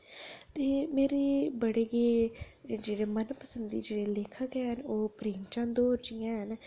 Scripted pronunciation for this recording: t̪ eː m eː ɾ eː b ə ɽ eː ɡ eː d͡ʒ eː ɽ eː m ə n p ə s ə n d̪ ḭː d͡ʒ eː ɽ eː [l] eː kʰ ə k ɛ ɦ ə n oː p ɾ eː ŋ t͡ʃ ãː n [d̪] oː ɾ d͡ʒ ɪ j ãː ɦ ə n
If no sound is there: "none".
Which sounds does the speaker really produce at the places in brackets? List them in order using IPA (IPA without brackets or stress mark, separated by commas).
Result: l, d̪